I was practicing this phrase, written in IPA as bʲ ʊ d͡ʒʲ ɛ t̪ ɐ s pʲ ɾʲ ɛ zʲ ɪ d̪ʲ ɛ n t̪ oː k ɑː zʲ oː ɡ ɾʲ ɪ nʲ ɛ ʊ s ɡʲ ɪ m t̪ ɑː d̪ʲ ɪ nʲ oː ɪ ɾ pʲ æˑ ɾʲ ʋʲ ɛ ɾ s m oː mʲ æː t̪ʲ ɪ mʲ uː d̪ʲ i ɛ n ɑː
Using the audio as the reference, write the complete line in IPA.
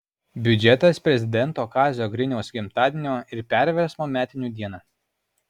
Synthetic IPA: bʲ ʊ d͡ʒʲ ɛ t̪ ɐ s pʲ ɾʲ ɛ zʲ ɪ d̪ʲ ɛ n t̪ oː k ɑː zʲ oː ɡ ɾʲ ɪ nʲ ɛ ʊ s ɡʲ ɪ m t̪ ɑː d̪ʲ ɪ nʲ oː ɪ ɾ pʲ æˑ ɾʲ ʋʲ ɛ ɾ s m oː mʲ æː t̪ʲ ɪ nʲ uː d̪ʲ i ɛ n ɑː

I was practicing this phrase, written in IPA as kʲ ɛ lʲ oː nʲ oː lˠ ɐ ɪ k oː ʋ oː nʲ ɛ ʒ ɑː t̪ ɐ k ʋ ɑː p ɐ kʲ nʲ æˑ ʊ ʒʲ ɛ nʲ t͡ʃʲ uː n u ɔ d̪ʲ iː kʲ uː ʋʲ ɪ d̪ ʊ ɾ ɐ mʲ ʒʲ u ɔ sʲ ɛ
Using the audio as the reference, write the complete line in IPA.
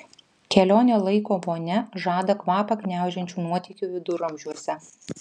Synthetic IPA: kʲ ɛ lʲ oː nʲ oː lˠ ɐ ɪ k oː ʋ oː nʲ ɛ ʒ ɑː d̪ ɐ k ʋ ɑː p ɐ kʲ nʲ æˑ ʊ ʒʲ ɛ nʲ t͡ʃʲ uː n u ɔ t̪ʲ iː kʲ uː ʋʲ ɪ d̪ ʊ ɾ ɐ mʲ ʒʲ u ɔ sʲ ɛ

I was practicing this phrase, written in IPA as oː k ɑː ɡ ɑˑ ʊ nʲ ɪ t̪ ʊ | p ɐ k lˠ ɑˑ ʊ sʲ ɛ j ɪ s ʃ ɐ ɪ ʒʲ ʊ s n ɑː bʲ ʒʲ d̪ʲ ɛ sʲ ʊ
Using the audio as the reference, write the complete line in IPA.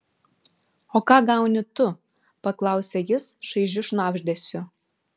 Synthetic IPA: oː k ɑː ɡ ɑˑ ʊ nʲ ɪ t̪ ʊ | p ɐ k lˠ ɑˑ ʊ sʲ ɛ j ɪ s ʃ ɐ ɪ ʒʲ ʊ ʃ n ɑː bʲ ʒʲ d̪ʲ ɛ sʲ ʊ

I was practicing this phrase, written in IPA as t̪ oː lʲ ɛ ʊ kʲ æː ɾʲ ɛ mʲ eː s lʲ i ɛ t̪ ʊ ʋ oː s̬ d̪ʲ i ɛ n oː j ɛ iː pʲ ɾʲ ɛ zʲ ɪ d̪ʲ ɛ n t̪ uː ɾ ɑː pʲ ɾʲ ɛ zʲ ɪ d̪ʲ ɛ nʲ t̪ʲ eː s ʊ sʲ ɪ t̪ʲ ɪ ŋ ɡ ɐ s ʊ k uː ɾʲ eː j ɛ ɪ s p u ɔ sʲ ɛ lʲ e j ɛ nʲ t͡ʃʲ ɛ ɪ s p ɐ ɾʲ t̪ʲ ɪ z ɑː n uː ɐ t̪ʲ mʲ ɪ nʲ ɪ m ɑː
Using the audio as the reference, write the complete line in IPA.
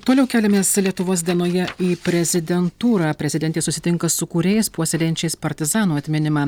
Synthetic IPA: t̪ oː lʲ ɛ ʊ kʲ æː lʲ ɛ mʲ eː s lʲ i ɛ t̪ ʊ ʋ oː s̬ d̪ʲ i ɛ n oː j ɛ iː pʲ ɾʲ ɛ zʲ ɪ d̪ʲ ɛ n t̪ uː ɾ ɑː pʲ ɾʲ ɛ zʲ ɪ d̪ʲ ɛ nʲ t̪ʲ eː s ʊ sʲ ɪ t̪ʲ ɪ ŋ k ɐ s ʊ k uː ɾʲ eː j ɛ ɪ s p u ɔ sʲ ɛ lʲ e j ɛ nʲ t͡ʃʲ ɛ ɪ s p ɐ ɾʲ t̪ʲ ɪ z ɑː n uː ɐ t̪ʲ mʲ ɪ nʲ ɪ m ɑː

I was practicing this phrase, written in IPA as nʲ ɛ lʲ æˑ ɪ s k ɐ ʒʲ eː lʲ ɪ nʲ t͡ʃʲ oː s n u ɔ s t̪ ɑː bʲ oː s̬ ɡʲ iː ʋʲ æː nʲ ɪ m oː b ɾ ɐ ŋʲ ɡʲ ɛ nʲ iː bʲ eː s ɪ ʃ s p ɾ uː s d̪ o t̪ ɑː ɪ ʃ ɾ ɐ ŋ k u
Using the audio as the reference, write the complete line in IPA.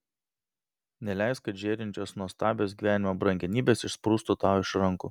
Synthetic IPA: nʲ ɛ lʲ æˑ ɪ s k ɐ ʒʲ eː ɾʲ ɪ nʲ t͡ʃʲ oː s n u ɔ s t̪ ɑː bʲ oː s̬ ɡʲ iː ʋʲ æː nʲ ɪ m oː b ɾ ɐ ŋʲ ɡʲ ɛ nʲ iː bʲ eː s ɪ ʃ s p ɾ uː s t̪ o t̪ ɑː ɪ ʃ ɾ ɐ ŋ k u

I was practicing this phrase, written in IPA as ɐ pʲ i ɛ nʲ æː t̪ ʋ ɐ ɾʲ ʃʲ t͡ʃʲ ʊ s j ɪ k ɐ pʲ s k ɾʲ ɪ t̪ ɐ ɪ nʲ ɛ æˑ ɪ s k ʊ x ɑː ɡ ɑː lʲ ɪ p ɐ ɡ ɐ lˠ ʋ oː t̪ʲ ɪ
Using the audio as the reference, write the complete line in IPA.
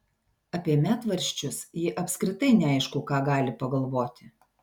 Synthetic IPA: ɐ pʲ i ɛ mʲ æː t̪ ʋ ɐ ɾʲ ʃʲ t͡ʃʲ ʊ s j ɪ ʔ ɐ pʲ s k ɾʲ ɪ t̪ ɐ ɪ nʲ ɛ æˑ ɪ ʃ k ʊ k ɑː ɡ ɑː lʲ ɪ p ɐ ɡ ɐ lˠ ʋ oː t̪ʲ ɪ

